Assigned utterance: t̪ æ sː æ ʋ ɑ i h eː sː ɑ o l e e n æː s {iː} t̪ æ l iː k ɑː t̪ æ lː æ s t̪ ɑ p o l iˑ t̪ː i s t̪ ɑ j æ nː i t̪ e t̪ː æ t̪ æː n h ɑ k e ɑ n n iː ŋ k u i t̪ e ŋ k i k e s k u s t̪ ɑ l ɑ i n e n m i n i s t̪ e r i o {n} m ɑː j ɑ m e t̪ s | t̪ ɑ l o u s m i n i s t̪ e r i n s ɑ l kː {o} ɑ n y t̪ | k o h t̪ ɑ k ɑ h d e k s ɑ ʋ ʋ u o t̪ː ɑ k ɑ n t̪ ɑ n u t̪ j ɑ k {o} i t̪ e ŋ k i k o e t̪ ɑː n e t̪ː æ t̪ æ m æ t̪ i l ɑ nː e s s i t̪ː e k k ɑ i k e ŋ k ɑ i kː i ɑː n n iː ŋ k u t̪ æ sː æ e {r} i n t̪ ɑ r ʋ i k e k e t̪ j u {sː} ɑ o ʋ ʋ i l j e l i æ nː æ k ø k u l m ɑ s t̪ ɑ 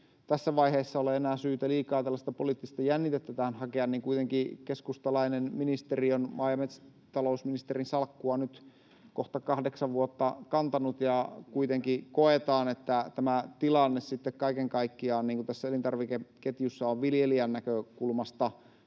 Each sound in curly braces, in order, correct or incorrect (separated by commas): incorrect, correct, incorrect, incorrect, incorrect, correct